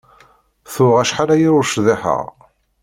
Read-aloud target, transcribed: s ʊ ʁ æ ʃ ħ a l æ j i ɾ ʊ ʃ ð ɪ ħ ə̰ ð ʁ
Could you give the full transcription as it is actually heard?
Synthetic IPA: θ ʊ ʁ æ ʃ ħ a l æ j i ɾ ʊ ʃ ð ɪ ħ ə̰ ʁ